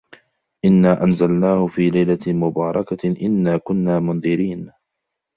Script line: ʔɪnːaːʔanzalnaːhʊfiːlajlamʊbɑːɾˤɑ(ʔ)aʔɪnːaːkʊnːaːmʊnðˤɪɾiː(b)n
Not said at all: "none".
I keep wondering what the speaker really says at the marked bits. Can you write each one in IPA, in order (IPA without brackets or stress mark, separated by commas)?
k, none